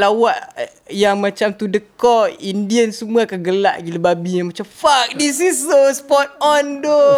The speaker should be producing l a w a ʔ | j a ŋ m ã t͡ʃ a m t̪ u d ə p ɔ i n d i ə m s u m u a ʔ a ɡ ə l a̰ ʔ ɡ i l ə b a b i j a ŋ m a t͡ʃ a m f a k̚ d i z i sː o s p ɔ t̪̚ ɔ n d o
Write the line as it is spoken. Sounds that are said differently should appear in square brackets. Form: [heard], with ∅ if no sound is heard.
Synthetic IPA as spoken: l a w a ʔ | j a ŋ m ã t͡ʃ a m t̪ u d ə [k] ɔ i n d i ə [n] s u m u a [k] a ɡ ə l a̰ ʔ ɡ i l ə b a b i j a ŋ m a t͡ʃ a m f a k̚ d i [s] i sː o s p ɔ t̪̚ ɔ n d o